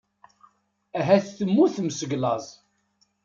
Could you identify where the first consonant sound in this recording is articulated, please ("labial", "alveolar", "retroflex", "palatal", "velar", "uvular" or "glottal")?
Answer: glottal